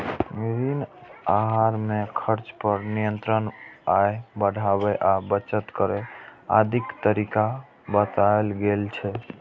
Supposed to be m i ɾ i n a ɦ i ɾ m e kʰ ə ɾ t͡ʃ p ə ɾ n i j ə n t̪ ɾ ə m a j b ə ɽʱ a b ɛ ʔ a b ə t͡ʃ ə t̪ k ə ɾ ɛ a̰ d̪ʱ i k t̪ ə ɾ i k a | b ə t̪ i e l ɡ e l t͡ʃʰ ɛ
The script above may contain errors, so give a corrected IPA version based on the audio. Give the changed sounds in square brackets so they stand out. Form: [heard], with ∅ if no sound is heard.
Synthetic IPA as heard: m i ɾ i n a ɦ [a] ɾ m e kʰ ə ɾ t͡ʃ p ə ɾ n i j ə n t̪ ɾ ə [n] a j b ə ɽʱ a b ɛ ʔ a b ə t͡ʃ ə t̪ k ə ɾ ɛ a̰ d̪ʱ i k t̪ ə ɾ i k a | b ə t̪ [a] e l ɡ e l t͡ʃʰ ɛ